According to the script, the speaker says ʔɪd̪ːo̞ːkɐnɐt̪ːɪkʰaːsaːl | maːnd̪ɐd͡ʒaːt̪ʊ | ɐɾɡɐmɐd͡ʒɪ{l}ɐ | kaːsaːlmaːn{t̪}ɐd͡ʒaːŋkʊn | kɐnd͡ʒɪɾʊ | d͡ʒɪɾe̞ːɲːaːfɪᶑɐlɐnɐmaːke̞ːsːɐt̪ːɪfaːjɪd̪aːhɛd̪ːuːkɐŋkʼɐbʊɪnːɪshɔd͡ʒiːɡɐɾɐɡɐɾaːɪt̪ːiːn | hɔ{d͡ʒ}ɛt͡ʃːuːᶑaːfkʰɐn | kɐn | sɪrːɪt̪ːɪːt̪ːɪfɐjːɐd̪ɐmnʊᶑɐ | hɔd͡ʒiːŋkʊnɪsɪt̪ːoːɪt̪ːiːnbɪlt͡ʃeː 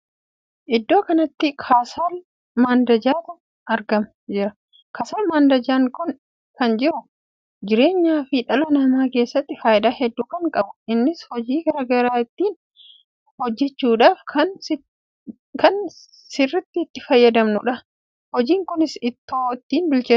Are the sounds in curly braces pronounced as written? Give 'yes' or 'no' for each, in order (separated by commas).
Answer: no, no, no